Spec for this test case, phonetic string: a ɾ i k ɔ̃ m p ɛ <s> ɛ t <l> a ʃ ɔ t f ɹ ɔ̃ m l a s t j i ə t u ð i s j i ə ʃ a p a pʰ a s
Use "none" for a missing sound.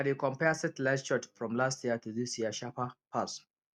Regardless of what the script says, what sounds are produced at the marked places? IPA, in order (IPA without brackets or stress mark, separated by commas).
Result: s, l